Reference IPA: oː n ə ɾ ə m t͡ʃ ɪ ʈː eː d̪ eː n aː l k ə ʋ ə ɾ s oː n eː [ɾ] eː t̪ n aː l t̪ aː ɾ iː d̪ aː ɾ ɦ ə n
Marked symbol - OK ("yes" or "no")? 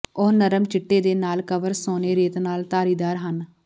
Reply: yes